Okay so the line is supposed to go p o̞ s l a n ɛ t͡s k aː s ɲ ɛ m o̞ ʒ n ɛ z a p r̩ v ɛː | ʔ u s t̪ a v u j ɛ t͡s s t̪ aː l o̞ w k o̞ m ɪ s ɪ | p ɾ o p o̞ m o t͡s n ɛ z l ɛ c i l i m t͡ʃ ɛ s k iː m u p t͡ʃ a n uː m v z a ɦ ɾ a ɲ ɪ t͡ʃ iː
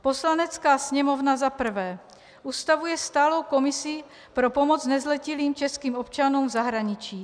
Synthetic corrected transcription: p o̞ s l a n ɛ t͡s k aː s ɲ ɛ m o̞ v n a z a p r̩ v ɛː | ʔ u s t̪ a v u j ɛ s t̪ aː l o̞ w k o̞ m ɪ s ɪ | p ɾ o p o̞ m o t͡s n ɛ z l ɛ c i l iː m t͡ʃ ɛ s k iː m o p t͡ʃ a n uː m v z a ɦ ɾ a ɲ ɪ t͡ʃ iː